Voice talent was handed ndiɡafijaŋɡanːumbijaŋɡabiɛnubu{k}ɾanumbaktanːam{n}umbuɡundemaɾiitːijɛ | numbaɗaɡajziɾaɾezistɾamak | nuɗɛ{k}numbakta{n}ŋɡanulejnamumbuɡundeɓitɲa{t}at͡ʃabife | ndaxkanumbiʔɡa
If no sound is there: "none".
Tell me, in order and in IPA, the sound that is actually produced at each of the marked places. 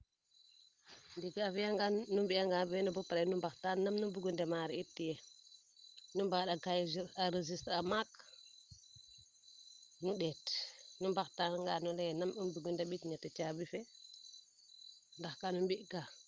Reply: p, n, t, n, t

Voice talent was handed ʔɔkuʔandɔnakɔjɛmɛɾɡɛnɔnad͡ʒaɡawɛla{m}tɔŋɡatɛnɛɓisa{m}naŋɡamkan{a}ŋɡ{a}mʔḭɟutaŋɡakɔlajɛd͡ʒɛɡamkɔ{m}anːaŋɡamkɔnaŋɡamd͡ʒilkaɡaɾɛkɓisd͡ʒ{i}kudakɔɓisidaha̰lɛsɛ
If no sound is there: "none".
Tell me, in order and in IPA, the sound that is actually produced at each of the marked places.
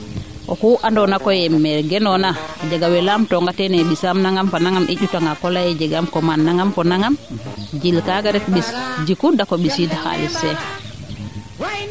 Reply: m, m, a, a, m, i

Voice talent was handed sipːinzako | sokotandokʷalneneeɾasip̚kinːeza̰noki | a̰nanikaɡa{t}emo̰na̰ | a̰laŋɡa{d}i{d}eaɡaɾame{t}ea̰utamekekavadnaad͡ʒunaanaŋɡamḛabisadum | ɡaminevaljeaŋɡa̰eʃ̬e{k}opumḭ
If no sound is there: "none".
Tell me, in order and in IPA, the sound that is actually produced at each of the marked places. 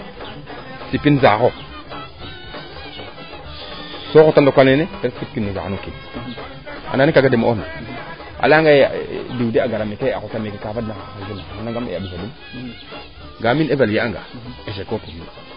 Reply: d, d, d, k, k

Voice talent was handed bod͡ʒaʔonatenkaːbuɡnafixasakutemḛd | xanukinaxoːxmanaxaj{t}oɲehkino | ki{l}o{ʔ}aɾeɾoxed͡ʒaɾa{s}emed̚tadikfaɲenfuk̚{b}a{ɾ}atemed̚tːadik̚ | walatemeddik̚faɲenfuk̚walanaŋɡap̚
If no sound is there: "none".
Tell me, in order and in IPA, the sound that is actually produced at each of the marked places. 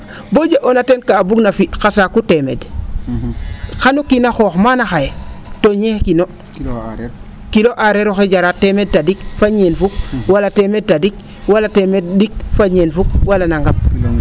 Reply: t, l, ʔ, t, w, l

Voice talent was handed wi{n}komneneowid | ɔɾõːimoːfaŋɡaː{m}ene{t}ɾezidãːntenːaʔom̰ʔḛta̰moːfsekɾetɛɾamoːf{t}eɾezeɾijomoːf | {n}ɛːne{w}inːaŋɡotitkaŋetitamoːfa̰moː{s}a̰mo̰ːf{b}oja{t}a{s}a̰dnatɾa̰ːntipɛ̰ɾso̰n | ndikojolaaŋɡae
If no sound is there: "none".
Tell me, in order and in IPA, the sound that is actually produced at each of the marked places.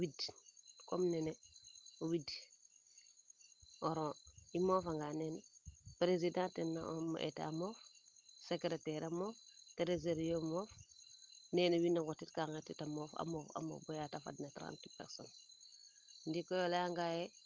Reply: d, n, p, t, n, w, f, b, t, f

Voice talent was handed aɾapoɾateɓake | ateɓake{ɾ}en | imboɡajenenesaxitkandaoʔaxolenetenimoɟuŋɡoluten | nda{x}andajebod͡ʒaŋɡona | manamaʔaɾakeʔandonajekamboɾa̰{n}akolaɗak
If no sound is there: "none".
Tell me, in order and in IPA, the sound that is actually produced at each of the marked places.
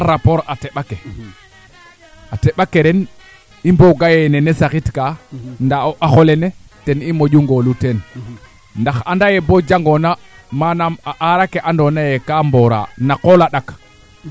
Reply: ɾ, x, n

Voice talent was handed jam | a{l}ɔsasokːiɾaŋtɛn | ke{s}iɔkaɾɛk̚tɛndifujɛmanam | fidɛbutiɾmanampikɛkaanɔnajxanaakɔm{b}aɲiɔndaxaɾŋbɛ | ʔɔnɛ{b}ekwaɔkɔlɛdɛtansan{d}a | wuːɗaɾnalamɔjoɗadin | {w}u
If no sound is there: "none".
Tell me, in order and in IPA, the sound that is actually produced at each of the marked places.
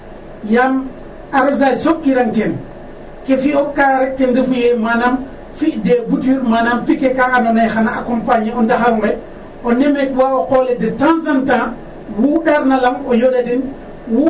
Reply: ɾ, f, p, m, t, w

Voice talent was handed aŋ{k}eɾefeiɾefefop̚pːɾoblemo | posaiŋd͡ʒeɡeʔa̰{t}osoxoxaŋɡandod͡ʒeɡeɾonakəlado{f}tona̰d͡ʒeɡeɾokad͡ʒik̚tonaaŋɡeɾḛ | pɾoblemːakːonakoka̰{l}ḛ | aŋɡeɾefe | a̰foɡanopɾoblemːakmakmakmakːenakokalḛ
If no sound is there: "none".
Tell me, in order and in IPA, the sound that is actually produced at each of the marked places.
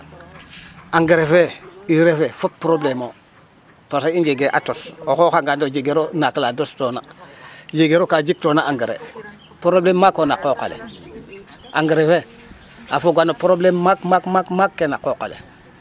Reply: ɡ, t, s, l

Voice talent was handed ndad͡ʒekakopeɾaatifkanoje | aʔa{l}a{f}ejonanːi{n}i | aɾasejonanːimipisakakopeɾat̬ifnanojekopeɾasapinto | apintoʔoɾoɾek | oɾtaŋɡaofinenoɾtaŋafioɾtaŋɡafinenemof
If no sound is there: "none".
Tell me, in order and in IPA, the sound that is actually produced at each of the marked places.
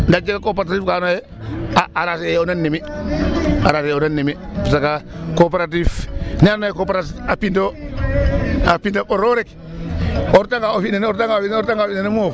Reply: ɾ, s, m

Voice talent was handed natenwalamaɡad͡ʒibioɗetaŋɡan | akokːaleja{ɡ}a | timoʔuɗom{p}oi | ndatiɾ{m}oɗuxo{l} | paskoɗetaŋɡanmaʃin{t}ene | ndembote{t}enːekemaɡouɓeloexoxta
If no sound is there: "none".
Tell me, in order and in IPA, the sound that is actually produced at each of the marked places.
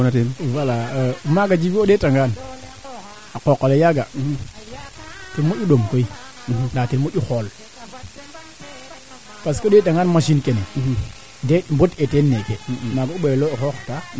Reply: ɡ, k, m, l, k, t

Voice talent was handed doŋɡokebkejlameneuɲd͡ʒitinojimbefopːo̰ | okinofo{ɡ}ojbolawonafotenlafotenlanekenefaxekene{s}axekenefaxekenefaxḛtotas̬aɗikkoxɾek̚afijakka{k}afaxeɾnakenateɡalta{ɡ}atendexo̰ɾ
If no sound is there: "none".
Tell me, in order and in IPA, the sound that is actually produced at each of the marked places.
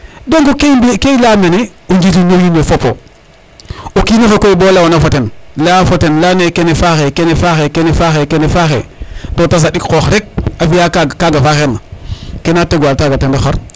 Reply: k, f, ɡ, ɡ

